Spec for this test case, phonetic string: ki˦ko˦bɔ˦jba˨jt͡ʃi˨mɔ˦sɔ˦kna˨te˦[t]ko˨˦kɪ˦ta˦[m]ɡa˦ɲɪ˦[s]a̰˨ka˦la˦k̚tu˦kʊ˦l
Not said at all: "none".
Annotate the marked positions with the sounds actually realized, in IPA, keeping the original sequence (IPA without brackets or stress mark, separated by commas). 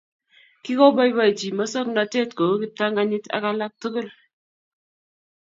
t, ŋ, t